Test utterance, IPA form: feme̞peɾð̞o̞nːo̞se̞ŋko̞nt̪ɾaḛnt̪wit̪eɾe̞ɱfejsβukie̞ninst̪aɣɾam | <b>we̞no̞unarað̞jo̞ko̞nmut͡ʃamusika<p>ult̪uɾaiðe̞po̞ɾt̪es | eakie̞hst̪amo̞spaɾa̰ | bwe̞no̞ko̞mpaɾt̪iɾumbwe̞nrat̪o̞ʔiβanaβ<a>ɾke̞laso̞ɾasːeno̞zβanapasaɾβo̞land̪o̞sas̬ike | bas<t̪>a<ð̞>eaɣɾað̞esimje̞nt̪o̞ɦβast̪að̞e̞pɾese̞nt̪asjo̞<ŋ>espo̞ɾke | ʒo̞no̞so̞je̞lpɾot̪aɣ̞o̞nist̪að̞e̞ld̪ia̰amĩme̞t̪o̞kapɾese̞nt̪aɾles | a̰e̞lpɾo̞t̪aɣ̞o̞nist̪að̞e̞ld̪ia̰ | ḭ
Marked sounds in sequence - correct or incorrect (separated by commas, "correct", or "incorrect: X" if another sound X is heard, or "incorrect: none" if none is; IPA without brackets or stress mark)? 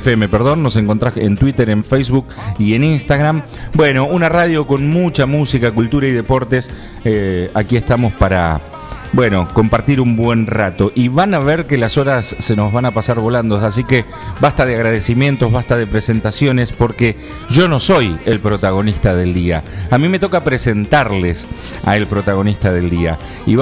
correct, incorrect: k, incorrect: e, correct, correct, incorrect: n